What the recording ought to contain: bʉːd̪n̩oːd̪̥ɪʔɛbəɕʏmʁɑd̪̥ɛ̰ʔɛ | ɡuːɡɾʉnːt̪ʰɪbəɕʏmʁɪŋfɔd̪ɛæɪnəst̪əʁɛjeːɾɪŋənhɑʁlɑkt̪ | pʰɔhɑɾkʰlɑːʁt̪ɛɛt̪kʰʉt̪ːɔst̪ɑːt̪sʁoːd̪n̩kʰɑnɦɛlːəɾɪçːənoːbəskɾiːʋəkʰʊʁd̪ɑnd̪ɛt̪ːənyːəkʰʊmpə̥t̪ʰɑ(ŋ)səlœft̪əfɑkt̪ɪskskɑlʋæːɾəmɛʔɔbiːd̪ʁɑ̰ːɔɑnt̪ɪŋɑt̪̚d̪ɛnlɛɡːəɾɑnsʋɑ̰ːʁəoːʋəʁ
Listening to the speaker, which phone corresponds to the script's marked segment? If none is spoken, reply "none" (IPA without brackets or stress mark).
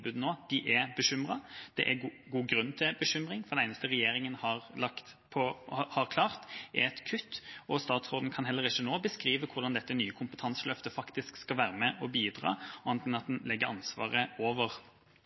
n